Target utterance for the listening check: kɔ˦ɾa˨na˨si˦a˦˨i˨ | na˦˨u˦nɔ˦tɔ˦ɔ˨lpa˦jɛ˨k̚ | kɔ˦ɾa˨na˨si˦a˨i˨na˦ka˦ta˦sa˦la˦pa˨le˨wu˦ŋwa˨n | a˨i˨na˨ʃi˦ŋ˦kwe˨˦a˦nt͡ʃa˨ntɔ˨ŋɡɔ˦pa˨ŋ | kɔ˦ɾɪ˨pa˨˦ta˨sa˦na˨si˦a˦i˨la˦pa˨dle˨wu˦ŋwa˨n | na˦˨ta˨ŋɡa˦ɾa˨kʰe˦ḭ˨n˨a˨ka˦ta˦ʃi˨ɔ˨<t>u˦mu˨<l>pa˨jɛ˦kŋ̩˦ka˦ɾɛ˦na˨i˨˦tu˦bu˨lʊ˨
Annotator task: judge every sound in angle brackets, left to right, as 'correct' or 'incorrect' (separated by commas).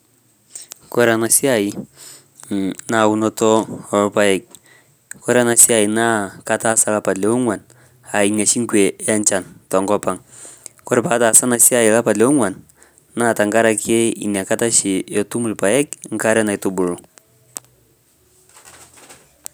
correct, correct